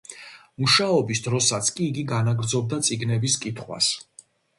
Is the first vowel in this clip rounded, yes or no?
yes